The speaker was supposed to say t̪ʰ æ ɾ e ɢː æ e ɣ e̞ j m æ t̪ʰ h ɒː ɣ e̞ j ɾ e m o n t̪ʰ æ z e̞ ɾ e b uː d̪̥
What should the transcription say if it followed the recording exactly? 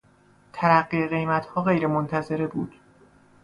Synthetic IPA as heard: t̪ʰ æ ɾ æ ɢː i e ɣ e̞ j m æ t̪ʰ h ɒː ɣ e̞ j ɾ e m o n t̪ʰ æ z e̞ ɾ e b uː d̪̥